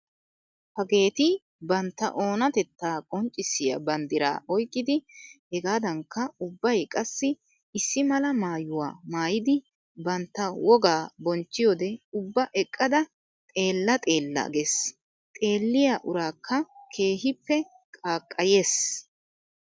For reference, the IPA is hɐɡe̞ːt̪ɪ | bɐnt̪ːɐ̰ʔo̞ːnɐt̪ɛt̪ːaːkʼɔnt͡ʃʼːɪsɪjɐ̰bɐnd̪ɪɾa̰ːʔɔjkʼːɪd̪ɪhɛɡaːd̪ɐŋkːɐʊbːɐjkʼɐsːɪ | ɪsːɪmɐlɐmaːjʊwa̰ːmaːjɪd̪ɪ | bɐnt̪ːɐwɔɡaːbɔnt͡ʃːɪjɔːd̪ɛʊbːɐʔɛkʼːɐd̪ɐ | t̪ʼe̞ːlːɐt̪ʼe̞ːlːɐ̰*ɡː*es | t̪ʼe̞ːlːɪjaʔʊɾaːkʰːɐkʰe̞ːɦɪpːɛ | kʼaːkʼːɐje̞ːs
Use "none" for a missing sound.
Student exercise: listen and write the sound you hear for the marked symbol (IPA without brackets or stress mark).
ɡ